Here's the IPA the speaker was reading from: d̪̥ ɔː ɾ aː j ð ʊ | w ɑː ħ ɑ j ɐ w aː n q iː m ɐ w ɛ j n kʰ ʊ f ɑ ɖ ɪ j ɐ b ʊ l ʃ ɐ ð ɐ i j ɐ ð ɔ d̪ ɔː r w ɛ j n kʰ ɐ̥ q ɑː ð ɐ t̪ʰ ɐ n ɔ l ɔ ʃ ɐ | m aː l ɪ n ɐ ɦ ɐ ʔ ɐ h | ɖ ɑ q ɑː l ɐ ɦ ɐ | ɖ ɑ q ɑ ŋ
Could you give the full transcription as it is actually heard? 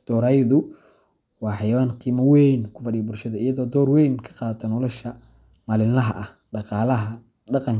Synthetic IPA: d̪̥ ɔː ɾ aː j ð ʊ | w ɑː ħ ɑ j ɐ w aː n q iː m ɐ w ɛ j n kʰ ʊ f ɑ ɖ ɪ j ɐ b ʊ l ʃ ɐ ð ɐ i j ɐ ð ɔː d̪ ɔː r w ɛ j n kʰ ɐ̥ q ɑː ð ɐ t̪ʰ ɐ n ɔ l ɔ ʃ ɐ | m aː l ɪ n ɐ ɦ ɐ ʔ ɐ h | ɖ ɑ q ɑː l ɐ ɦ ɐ | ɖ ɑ q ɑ ŋ

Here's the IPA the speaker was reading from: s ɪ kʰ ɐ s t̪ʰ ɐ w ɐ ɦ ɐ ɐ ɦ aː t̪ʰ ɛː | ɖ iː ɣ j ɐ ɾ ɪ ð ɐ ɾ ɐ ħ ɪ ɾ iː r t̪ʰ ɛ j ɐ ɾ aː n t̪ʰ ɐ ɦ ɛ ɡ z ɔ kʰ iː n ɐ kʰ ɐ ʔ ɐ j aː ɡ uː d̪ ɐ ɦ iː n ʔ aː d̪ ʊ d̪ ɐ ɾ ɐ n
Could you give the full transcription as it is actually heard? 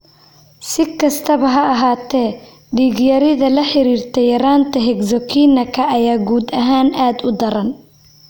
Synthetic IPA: s ɪ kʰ ɐ s t̪ʰ ɐ β ɐ ɦ ɐ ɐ ɦ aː t̪ʰ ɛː | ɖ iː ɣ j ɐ ɾ ɪ ð ɐ l ɐ ħ ɪ ɾ iː r t̪ʰ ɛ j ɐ ɾ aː n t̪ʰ ɐ ɦ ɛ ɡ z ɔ kʰ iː n ɐ kʰ ɐ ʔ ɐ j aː ɡ uː d̪ ɐ ɦ aː n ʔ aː d̪ ʊ d̪ ɐ ɾ ɐ n

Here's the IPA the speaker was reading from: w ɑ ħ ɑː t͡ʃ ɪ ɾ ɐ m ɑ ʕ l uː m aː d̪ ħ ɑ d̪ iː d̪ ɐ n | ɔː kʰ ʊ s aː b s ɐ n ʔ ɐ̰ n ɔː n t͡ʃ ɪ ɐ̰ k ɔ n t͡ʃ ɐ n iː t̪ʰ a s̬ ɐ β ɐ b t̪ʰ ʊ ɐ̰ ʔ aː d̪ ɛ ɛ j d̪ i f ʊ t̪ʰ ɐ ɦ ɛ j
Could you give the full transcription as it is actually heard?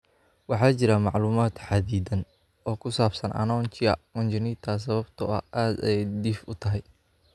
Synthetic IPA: w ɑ ħ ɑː t͡ʃ ɪ ɾ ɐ m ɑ ʕ l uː m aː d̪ ħ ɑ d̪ iː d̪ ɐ n | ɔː kʰ ʊ s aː b s ɐ n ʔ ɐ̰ n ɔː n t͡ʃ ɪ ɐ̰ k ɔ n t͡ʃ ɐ n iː t̪ʰ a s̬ ɐ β ɐ b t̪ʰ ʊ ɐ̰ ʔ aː d̪ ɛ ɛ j d̪ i f ʊ t̪ʰ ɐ ɦ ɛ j

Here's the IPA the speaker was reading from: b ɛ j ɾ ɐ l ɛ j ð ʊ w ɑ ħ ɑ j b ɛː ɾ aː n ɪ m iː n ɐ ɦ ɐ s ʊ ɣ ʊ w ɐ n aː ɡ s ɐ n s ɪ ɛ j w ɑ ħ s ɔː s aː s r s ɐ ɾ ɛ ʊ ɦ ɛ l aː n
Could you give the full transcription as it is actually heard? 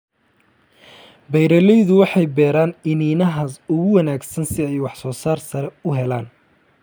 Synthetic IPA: b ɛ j ɾ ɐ l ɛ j ð ʊ w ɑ ħ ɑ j b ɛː ɾ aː n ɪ n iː n ɐ ɦ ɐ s ʊ ɣ ʊ w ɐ n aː ɡ s ɐ n s ɪ ɛ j w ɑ ħ s ɔː s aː r s ɐ ɾ ɛ ʊ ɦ ɛ l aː n

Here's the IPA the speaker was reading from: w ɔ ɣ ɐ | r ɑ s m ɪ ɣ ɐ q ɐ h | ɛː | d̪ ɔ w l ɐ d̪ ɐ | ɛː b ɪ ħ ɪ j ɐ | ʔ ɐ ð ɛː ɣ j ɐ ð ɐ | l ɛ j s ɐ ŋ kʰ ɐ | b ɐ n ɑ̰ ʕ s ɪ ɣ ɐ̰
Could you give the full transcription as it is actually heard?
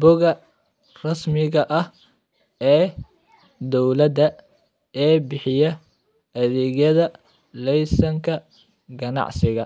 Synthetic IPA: b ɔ ɣ ɐ | r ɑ s m ɪ ɣ ɐ ʔ ɐ h | ɛː | d̪ ɔ w l ɐ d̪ ɐ | ɛː b ɪ ħ ɪ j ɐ | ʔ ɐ ð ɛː ɣ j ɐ ð ɐ | l ɛ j s ɐ ŋ kʰ ɐ | ɡ ɐ n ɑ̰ ʕ s ɪ ɣ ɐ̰

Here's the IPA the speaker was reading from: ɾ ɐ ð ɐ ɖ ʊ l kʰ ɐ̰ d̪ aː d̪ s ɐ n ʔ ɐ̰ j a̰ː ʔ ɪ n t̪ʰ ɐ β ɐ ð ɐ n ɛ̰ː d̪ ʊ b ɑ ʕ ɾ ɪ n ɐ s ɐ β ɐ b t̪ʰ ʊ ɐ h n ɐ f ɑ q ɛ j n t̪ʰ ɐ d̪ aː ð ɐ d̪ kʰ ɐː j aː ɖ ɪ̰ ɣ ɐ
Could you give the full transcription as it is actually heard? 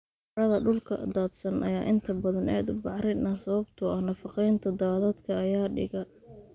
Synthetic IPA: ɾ ɐ ð ɐ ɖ ʊ l kʰ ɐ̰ d̪ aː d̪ s ɐ n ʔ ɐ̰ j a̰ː ʔ ɪ n t̪ʰ ɐ b ɐ ð ɐ n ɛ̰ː d̪ ʊ b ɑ ʕ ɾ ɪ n ɐ s ɐ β ɐ b t̪ʰ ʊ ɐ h n ɐ f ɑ q ɛ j n t̪ʰ ɐ d̪ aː ð ɐ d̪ kʰ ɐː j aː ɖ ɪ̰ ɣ ɐ

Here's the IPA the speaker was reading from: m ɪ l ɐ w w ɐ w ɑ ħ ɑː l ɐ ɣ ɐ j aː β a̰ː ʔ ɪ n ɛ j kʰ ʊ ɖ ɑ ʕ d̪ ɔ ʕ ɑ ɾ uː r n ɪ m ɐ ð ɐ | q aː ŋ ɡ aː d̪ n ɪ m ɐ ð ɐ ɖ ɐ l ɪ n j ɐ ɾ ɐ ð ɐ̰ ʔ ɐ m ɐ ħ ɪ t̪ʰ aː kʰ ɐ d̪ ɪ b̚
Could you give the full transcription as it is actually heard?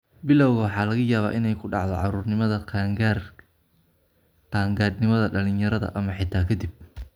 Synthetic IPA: b ɪ l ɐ w ɣ ɐ w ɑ ħ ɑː l ɐ ɣ ɐ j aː β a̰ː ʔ ɪ n ɛ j kʰ ʊ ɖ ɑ ʕ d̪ ɔ ʕ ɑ ɾ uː r n ɪ m ɐ ð ɐ | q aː ŋ ɡ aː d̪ n ɪ m ɐ ð ɐ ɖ ɐ l ɪ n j ɐ ɾ ɐ ð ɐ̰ ʔ ɐ m ɐ ħ ɪ t̪ʰ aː kʰ ɐ d̪ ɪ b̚

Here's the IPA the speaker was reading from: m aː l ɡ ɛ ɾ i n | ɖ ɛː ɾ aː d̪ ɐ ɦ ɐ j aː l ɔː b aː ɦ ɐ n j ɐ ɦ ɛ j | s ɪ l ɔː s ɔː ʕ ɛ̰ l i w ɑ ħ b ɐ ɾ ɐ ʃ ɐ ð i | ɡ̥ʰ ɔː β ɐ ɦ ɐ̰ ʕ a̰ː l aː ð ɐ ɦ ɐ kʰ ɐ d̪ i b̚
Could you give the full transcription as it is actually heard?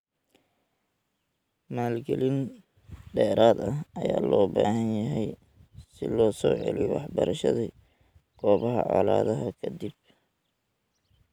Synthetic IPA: m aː l ɡ ɛ l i n | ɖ ɛː ɾ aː d̪ ɐ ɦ ɐ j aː l ɔː b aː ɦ ɐ n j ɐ ɦ ɛ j | s ɪ l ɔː s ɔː ʕ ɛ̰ l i w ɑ ħ b ɐ ɾ ɐ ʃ ɐ ð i | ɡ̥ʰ ɔː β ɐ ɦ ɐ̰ ʕ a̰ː l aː ð ɐ ɦ ɐ kʰ ɐ d̪ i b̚

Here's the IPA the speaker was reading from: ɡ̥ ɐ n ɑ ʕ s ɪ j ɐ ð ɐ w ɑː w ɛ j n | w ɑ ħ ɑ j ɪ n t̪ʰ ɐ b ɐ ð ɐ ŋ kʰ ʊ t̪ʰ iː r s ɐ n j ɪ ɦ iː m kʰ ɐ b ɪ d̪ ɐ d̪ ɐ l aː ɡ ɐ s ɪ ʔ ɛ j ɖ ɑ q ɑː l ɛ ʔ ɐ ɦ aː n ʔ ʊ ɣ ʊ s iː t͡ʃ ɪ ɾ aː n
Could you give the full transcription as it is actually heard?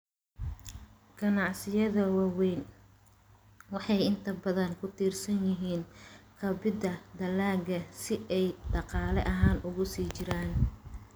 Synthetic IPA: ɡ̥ ɐ n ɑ ʕ s ɪ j ɐ ð ɐ w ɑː w ɛ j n | w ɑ ħ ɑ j ɪ n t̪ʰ ɐ b ɐ ð ɐ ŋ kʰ ʊ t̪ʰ iː r s ɐ n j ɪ ɦ iː n kʰ ɐ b ɪ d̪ ɐ d̪ ɐ l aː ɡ ɐ s ɪ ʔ ɛ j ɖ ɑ q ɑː l ɛ ʔ ɐ ɦ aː n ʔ ʊ ɣ ʊ s iː t͡ʃ ɪ ɾ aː n

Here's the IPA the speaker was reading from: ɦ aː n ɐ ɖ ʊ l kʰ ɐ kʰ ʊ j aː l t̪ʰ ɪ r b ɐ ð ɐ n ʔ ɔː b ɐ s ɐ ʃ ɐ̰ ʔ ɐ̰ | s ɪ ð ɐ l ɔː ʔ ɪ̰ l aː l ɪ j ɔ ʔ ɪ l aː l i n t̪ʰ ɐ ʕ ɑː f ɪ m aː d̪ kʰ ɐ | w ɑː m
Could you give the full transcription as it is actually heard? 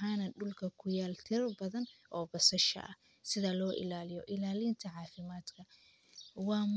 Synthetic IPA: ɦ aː n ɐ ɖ ʊ l kʰ ɐ kʰ ʊ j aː l t̪ʰ ɪ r b ɐ ð ɐ n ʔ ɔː b ɐ s ɐ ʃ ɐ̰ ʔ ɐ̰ | s ɪ ð ɐ l ɔː ʔ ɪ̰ l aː l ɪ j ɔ ʔ ɪ l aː l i n t̪ʰ ɐ ʕ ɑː f ɪ m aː d̪ kʰ ɐ | w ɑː m

